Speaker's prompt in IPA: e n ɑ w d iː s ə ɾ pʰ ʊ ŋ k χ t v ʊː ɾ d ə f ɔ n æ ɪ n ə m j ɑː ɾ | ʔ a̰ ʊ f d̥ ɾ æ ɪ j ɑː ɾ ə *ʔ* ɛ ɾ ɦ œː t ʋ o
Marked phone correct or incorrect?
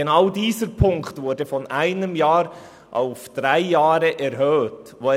correct